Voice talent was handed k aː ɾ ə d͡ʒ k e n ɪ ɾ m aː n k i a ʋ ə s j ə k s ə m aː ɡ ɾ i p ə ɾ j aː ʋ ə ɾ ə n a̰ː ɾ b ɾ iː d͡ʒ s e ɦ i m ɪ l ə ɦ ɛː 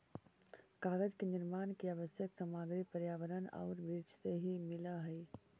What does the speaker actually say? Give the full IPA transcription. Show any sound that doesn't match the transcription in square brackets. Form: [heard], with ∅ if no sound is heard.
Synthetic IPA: k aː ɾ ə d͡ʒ k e n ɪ ɾ m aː n k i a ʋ ə s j ə k s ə m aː ɡ ɾ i p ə ɾ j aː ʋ ə ɾ ə n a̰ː ɾ b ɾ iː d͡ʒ s e ɦ i m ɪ l [a] ɦ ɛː